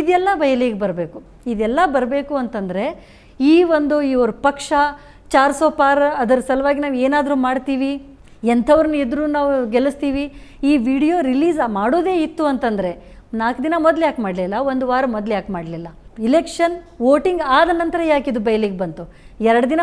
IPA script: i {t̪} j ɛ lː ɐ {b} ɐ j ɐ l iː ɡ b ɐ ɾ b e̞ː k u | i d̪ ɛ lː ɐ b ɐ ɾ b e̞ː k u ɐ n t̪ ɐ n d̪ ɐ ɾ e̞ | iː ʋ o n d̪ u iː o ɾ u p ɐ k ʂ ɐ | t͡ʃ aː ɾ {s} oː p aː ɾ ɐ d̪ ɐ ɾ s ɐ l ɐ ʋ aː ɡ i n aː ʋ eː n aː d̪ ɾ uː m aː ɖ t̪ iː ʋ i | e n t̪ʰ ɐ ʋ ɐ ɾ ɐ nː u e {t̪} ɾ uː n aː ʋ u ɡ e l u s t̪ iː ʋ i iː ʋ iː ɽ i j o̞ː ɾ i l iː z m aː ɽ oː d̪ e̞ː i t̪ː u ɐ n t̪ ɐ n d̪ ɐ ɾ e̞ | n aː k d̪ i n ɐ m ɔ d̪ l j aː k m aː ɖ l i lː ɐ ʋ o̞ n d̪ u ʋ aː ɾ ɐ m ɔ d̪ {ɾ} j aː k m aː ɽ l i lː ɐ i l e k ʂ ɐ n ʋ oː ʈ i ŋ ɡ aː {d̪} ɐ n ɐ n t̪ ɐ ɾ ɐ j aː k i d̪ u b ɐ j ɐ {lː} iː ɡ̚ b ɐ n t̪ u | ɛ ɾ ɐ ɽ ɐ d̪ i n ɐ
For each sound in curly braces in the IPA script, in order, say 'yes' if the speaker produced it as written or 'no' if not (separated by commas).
no, yes, yes, no, no, yes, no